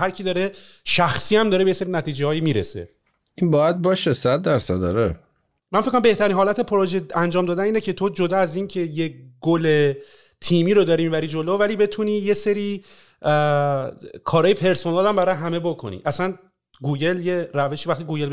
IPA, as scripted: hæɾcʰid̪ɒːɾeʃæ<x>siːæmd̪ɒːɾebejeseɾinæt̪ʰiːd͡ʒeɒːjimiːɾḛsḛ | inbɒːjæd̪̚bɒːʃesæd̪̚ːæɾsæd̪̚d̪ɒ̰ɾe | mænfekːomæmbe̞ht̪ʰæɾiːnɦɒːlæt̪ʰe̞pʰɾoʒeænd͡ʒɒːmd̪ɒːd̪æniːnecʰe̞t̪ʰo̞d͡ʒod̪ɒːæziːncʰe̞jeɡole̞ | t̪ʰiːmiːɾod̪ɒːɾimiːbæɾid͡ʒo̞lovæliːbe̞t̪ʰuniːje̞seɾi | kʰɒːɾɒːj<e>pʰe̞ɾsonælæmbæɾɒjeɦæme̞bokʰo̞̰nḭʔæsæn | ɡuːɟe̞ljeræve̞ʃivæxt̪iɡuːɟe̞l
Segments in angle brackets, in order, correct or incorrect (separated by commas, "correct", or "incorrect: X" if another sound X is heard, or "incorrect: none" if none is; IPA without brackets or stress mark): correct, correct